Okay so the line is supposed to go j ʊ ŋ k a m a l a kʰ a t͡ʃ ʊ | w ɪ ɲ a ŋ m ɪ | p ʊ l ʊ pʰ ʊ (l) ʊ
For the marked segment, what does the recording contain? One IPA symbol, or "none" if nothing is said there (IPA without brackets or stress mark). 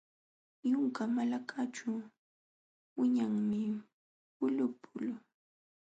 l